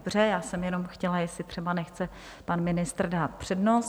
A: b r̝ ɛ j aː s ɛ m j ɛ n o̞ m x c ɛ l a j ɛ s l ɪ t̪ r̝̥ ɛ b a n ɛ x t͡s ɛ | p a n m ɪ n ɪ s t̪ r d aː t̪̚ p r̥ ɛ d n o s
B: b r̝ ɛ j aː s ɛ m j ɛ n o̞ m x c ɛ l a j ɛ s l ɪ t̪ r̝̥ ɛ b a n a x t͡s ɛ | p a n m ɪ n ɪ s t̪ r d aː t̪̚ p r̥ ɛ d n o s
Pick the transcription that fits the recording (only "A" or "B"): A